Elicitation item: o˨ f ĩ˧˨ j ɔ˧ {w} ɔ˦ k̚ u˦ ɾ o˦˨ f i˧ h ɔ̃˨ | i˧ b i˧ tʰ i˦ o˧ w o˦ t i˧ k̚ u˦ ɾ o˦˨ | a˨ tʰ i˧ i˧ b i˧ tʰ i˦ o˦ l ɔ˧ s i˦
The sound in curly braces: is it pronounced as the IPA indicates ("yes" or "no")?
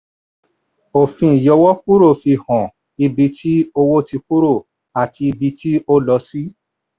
yes